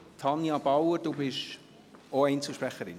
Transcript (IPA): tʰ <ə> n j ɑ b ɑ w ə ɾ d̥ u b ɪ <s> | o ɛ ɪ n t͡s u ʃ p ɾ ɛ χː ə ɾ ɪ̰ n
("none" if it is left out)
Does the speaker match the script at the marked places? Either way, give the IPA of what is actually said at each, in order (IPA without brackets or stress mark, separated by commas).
ɑ, ʃ